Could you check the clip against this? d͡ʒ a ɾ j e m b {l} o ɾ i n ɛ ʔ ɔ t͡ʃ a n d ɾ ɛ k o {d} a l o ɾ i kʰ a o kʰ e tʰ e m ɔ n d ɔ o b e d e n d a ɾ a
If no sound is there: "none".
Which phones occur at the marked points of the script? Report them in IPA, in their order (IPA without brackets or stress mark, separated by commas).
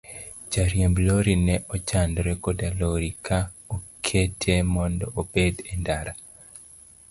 l, d